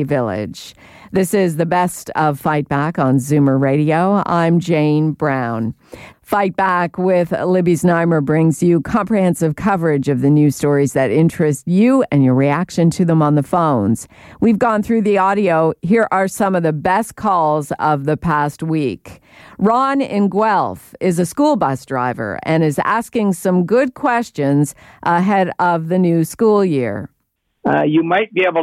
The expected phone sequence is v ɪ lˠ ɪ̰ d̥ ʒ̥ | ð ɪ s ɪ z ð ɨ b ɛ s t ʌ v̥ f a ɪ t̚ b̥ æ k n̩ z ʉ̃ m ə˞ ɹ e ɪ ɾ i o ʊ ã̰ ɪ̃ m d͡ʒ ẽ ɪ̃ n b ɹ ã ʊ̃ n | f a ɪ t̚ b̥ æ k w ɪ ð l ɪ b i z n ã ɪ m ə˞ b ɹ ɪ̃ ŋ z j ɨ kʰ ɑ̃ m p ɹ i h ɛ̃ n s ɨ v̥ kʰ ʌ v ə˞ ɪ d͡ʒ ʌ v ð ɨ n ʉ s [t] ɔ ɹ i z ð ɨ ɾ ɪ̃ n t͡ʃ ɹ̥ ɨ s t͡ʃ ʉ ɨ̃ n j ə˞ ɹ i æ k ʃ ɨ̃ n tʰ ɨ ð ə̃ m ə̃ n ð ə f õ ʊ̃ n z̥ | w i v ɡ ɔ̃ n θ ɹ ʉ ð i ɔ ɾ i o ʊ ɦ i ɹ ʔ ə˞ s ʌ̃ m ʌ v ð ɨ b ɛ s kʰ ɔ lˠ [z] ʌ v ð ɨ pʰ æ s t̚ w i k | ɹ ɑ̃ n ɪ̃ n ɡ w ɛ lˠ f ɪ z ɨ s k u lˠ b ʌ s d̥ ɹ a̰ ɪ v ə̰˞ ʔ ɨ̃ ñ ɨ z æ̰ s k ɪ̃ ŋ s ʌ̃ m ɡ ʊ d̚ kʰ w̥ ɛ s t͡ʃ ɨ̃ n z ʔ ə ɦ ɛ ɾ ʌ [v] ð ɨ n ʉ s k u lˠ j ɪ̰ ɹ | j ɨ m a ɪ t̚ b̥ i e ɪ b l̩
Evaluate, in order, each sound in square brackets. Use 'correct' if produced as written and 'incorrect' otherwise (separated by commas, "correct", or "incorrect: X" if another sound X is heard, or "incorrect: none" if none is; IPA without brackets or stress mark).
correct, correct, correct